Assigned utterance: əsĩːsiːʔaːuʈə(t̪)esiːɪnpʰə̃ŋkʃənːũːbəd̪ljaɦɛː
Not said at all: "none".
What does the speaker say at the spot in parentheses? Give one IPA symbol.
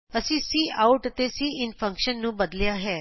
t̪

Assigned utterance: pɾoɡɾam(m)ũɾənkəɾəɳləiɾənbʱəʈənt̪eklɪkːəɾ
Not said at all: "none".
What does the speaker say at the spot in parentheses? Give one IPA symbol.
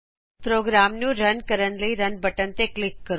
n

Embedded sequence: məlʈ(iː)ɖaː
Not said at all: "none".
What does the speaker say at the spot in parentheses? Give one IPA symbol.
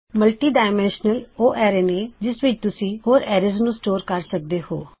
iː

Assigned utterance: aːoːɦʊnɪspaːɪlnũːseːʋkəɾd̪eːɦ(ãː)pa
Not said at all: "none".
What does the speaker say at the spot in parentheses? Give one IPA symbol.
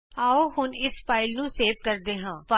ãː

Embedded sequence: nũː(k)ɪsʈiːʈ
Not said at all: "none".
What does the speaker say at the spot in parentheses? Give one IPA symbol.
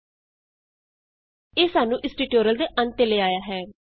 ʔ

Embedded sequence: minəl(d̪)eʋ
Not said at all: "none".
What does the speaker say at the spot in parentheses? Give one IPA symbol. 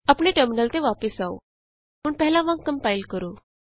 t̪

